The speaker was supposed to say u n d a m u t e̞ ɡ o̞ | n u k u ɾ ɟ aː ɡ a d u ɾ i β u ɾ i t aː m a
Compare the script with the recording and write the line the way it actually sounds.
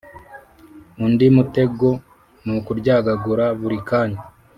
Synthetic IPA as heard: u n d i m u t e̞ ɡ o̞ | n u k u ɾ ɟ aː ɡ a ɡ u ɾ a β u ɾ i k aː ɲ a

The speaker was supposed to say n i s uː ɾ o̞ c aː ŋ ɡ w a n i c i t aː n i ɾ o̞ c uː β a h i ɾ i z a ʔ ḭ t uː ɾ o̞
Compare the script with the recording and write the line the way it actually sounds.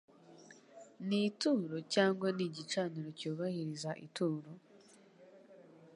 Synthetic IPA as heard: n i t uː ɾ o̞ c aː ŋ ɡ w a n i ɟ i t͡ʃ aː n i ɾ o̞ c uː β a h i ɾ i z a ʔ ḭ t uː ɾ o̞

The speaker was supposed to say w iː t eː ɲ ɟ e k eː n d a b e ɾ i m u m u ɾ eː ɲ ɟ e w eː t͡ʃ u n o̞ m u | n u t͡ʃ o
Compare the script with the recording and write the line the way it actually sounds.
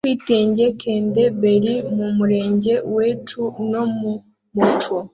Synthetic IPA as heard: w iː t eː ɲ ɟ e k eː n d e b e ɾ i m u m u ɾ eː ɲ ɟ e w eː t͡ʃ u n o̞ m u | m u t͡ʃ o

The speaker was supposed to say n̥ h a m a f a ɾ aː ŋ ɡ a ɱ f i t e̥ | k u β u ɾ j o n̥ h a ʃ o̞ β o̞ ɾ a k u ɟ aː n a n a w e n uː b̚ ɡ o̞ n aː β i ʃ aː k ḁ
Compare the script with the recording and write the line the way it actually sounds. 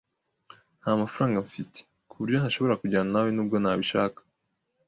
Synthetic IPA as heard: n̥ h a m a f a ɾ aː ŋ ɡ a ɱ f i t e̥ | k u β u ɾ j o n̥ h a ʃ o̞ β o̞ ɾ a k u ɟ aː n a n a w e n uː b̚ ɡ o̞ n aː β i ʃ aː k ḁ

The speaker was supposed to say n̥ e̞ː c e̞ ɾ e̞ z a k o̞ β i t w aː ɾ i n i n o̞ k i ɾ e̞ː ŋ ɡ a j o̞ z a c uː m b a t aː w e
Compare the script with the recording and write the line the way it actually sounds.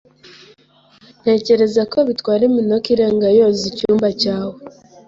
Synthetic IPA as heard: n̥ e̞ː c e̞ ɾ e̞ z a k o̞ β i t w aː ɾ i m i n o̞ k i ɾ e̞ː ŋ ɡ a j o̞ z i c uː m b a c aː w e

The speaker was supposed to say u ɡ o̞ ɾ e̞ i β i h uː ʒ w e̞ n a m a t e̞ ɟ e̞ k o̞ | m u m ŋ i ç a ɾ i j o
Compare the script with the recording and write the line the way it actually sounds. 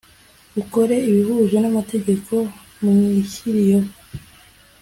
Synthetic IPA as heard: u k o̞ ɾ e̞ i β i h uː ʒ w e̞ n a m a t e̞ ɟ e̞ k o̞ | m u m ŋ i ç i ɾ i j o

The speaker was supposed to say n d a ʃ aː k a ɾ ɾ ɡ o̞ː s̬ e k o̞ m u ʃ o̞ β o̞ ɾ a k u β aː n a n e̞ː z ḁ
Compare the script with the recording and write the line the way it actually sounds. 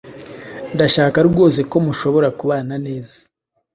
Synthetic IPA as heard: n d a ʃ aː k a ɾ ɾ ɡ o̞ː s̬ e k o̞ m u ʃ o̞ β o̞ ɾ a k u β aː n a n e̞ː z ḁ

